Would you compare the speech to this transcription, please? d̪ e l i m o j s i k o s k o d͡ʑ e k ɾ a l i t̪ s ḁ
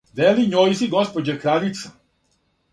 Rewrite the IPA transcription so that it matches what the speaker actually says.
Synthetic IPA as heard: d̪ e l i ɲ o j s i ɡ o s p o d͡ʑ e k ɾ a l i t̪ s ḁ